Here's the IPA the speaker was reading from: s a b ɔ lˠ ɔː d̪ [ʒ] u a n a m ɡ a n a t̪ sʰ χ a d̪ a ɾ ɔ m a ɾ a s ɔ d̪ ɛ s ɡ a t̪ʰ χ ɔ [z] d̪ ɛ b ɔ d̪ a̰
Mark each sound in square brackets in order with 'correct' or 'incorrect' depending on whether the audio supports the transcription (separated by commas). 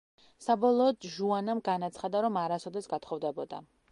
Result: correct, incorrect